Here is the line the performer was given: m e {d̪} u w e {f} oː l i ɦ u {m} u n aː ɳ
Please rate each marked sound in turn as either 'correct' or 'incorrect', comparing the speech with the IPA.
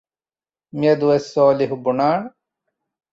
correct, incorrect: s, incorrect: b

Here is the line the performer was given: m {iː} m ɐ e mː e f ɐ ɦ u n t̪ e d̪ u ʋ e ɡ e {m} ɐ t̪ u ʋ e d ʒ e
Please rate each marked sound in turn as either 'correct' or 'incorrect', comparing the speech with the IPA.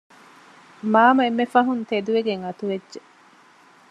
incorrect: aː, incorrect: ŋ

